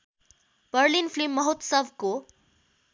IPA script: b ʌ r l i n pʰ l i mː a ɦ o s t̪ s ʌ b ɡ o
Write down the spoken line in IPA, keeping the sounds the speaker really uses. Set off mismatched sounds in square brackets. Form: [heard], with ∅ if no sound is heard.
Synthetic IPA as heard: b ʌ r l i n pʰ l i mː [ʌ] ɦ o [∅] t̪ s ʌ b [k] o